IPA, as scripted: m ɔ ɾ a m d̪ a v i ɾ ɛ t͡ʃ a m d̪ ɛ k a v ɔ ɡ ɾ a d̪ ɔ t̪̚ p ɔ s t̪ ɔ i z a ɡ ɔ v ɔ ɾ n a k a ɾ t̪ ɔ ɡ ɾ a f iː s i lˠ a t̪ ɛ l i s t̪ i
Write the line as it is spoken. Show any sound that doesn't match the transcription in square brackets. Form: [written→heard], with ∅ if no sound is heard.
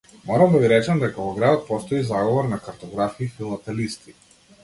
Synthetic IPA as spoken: m ɔ ɾ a m d̪ a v i ɾ ɛ t͡ʃ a m d̪ ɛ k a v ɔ ɡ ɾ a d̪ ɔ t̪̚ p ɔ s t̪ ɔ i z a ɡ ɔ v ɔ ɾ n a k a ɾ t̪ ɔ ɡ ɾ a f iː [s→f] i lˠ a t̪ ɛ l i s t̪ i

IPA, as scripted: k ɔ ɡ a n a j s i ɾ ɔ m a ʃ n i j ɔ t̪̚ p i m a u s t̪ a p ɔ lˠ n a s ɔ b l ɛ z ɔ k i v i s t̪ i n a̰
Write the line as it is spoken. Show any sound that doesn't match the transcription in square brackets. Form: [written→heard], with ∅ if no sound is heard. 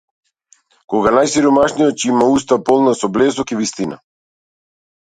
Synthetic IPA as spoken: k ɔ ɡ a n a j s i ɾ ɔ m a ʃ n i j ɔ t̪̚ [p→c] i m a u s t̪ a p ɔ lˠ n a s ɔ b l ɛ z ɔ k i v i s t̪ i n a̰

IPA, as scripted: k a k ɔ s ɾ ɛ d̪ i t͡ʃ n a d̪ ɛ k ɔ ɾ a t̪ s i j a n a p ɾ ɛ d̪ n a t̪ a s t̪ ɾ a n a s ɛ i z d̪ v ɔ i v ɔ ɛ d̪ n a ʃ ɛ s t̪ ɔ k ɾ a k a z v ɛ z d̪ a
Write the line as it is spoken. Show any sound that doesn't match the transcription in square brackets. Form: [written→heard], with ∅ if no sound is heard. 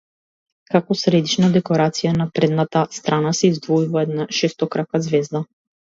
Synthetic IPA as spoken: k a k ɔ s ɾ ɛ d̪ i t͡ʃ n a d̪ ɛ k ɔ ɾ a t̪ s i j a n a p ɾ ɛ d̪ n a t̪ a s t̪ ɾ a n a s ɛ i z d̪ v ɔ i v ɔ ɛ d̪ n a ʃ ɛ s t̪ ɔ k ɾ a k a z v ɛ z d̪ a

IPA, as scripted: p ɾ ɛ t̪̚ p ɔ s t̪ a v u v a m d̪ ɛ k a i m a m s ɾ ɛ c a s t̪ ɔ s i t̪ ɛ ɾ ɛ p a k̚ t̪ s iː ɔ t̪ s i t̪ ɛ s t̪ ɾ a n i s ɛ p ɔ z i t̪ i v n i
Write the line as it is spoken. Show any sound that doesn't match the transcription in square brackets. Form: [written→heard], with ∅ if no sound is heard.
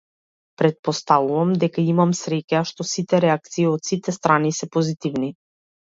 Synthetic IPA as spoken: p ɾ ɛ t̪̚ p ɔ s t̪ a v u v a m d̪ ɛ k a i m a m s ɾ ɛ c a [s→ʃ] t̪ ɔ s i t̪ ɛ ɾ ɛ [p→∅] a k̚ t̪ s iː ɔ t̪ s i t̪ ɛ s t̪ ɾ a n i s ɛ p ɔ z i t̪ i v n i

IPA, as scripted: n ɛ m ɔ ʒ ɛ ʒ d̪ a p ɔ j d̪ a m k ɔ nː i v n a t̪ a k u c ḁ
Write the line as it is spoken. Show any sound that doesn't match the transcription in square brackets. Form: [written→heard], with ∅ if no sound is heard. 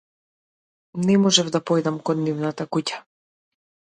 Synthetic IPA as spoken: n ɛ m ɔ ʒ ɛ [ʒ→v] d̪ a p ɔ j d̪ a m k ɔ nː i v n a t̪ a k u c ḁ

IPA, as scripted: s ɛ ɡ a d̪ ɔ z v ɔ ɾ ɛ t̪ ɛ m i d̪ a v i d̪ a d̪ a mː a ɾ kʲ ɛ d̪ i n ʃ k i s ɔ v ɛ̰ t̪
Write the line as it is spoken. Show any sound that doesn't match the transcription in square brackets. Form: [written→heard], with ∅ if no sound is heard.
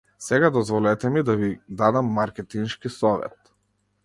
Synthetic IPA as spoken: s ɛ ɡ a d̪ ɔ z v ɔ [ɾ→l] ɛ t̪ ɛ m i d̪ a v i d̪ a d̪ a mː a ɾ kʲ ɛ [d̪→t̪] i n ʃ k i s ɔ v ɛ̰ t̪

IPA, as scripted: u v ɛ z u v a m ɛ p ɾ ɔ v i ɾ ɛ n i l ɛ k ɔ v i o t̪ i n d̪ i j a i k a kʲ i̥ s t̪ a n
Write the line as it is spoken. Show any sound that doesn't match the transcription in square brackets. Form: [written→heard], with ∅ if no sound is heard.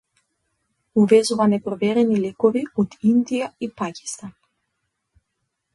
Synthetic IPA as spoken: u v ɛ z u v a [m→n] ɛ p ɾ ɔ v [i→ɛ] ɾ ɛ n i l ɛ k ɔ v i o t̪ i n d̪ i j a i [k→p] a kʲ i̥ s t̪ a n

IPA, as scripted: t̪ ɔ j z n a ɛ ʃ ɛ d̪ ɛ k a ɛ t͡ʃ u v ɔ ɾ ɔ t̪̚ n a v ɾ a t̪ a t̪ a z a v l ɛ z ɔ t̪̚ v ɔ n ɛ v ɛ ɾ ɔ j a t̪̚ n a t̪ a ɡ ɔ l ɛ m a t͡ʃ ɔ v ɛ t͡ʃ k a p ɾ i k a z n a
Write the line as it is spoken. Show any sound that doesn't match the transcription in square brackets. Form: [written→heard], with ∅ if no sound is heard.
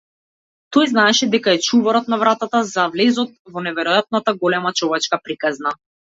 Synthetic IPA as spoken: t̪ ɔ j z n a ɛ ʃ ɛ d̪ ɛ k a ɛ t͡ʃ u v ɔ ɾ ɔ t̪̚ n a v ɾ a t̪ a t̪ a z a v l ɛ z ɔ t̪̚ v ɔ n ɛ v ɛ ɾ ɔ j a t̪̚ n a t̪ a ɡ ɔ l ɛ m a t͡ʃ ɔ v ɛ t͡ʃ k a p ɾ i k a z n a

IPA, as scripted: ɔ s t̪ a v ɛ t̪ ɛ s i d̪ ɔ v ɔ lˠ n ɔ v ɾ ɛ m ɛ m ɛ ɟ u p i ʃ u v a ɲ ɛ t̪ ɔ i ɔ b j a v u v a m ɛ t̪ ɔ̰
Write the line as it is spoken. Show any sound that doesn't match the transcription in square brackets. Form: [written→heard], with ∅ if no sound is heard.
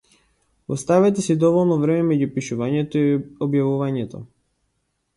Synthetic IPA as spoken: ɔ s t̪ a v ɛ t̪ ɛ s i d̪ ɔ v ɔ lˠ n ɔ v ɾ ɛ m ɛ m ɛ ɟ u p i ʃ u v a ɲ ɛ t̪ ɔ i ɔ b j a v u v a [m→ɲ] ɛ t̪ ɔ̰

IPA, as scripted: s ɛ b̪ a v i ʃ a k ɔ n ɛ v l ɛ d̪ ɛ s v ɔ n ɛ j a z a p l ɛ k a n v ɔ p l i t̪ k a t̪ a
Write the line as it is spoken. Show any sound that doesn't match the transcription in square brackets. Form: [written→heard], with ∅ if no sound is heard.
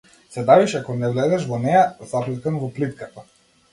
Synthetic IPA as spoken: s ɛ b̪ a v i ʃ a k ɔ n ɛ v l ɛ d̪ ɛ [s→ʃ] v ɔ n ɛ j a z a p l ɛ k a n v ɔ p l i t̪ k a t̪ a

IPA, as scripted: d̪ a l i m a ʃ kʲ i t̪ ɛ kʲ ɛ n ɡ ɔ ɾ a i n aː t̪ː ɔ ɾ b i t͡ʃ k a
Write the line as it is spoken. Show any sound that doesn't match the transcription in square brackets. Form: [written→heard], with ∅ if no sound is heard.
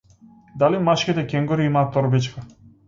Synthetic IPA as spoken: d̪ a l i m a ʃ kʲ i t̪ ɛ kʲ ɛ [n→ŋ] ɡ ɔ ɾ [a→i] i [n→m] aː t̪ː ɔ ɾ b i t͡ʃ k a

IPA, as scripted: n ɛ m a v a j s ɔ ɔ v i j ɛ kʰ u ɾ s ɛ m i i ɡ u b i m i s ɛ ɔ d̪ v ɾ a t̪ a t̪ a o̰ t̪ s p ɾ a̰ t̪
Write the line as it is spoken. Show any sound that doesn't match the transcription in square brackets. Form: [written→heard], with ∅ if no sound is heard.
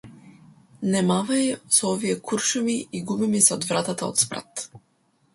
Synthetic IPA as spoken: n ɛ m a v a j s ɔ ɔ v i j ɛ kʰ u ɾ [s→ʃ] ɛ m i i ɡ u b i m i s ɛ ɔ d̪ v ɾ a t̪ a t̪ a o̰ t̪ s p ɾ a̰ t̪

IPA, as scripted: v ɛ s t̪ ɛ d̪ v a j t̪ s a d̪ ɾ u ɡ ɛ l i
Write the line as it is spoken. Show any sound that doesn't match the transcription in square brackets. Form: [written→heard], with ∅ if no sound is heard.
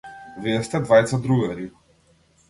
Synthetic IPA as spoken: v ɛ s t̪ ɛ d̪ v a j t̪ s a d̪ ɾ u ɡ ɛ [l→ɾ] i

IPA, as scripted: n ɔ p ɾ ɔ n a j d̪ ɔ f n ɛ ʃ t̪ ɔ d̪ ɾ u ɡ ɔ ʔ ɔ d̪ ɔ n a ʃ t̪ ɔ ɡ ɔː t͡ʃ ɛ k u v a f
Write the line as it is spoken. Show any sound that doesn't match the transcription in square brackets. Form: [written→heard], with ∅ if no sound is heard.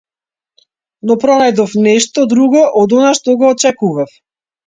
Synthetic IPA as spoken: n ɔ p ɾ ɔ n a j d̪ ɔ f n ɛ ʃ t̪ ɔ d̪ ɾ u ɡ ɔ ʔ ɔ d̪ ɔ n a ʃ t̪ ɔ ɡ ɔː t͡ʃ ɛ k u v a f

